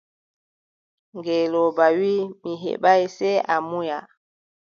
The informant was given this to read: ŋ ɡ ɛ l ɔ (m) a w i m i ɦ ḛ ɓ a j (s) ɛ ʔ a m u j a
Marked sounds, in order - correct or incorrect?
incorrect: b, correct

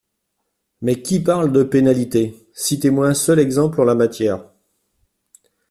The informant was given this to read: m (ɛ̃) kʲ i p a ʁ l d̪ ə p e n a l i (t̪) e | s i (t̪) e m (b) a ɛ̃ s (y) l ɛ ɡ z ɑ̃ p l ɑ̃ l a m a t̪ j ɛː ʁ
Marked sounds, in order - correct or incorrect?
incorrect: ɛ, correct, correct, incorrect: w, incorrect: œ

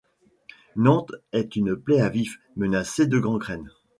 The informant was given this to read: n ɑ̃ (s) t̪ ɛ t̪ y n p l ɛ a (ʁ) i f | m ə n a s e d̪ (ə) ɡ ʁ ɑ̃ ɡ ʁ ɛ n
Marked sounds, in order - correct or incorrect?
incorrect: none, incorrect: v, correct

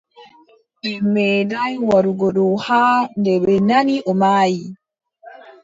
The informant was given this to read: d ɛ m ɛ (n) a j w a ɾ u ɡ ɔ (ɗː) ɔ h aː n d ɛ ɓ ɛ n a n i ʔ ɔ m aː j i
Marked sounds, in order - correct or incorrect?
incorrect: d, incorrect: ɗ

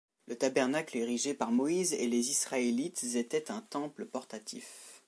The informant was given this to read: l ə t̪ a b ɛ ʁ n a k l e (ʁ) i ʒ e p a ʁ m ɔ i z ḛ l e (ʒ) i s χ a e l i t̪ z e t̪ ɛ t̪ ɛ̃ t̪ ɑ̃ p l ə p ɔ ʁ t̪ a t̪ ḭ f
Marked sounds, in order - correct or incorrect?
correct, incorrect: z

